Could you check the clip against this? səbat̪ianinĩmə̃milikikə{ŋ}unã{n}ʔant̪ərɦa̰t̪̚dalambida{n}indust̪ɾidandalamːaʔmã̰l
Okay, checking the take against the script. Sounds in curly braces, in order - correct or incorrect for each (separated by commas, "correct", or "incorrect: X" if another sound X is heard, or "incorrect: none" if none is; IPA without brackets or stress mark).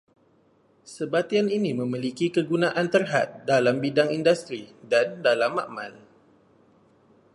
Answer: incorrect: ɡ, incorrect: none, incorrect: ŋ